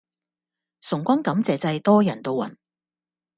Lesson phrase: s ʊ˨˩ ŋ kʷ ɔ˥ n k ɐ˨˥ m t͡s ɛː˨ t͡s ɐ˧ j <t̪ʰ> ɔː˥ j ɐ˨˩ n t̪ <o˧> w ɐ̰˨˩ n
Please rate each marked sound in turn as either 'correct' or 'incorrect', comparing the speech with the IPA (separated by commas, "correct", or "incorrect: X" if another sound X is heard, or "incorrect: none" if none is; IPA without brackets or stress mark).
incorrect: t̪, correct